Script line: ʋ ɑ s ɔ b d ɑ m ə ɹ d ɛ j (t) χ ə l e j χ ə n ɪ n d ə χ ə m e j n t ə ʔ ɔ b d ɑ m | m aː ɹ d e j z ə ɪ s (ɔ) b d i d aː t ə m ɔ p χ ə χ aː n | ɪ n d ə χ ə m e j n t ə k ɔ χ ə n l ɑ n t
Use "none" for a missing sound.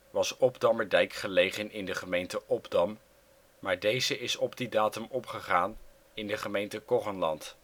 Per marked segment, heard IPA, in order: k, ɔ

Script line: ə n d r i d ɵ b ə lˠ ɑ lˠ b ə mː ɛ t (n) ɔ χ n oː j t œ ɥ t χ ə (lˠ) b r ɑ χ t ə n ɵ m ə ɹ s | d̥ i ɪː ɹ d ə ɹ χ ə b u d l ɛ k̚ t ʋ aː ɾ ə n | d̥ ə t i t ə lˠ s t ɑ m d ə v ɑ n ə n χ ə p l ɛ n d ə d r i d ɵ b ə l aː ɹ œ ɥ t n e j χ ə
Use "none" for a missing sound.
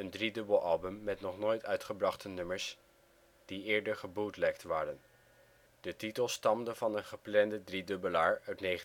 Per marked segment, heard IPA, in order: n, none

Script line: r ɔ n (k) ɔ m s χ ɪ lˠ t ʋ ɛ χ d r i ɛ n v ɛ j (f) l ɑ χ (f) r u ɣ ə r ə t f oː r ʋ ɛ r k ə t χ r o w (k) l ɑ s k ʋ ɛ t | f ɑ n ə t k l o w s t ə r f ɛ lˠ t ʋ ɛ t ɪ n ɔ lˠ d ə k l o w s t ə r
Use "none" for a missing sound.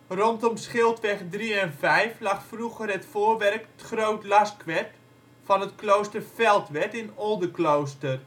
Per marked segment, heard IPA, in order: t, f, f, t

